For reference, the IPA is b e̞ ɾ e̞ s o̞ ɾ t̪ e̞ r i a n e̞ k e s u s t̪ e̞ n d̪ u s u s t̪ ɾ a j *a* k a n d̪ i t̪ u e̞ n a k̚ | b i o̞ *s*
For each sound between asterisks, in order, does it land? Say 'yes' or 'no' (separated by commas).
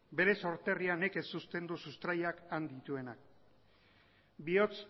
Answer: yes, no